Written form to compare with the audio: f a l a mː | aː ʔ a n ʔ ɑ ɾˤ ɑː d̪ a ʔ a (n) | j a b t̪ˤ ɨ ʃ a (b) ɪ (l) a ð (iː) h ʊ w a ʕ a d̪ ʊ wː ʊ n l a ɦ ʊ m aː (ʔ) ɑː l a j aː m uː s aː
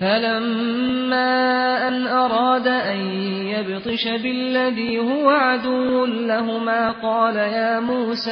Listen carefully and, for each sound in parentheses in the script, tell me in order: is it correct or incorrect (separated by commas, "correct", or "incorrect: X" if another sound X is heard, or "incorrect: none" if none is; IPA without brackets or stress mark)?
correct, correct, incorrect: lː, correct, incorrect: q